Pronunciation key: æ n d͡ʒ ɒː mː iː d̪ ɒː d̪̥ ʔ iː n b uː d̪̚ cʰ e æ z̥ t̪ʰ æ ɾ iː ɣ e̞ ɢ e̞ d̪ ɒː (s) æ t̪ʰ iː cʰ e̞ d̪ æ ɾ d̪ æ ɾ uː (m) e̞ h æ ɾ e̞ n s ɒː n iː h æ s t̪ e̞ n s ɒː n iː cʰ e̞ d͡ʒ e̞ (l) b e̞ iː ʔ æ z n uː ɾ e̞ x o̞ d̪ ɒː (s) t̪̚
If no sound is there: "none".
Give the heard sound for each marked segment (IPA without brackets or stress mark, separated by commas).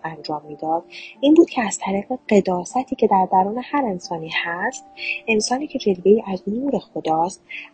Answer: s, n, l, s